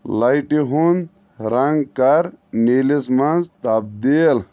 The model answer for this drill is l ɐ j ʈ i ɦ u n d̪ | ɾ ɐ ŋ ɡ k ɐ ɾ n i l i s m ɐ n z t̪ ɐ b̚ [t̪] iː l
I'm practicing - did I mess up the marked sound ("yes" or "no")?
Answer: yes